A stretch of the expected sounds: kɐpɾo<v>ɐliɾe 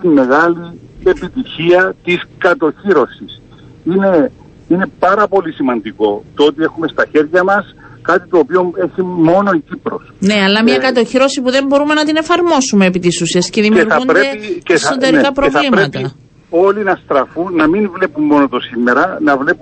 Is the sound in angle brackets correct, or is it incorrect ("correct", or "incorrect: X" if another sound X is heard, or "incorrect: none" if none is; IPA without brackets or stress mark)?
correct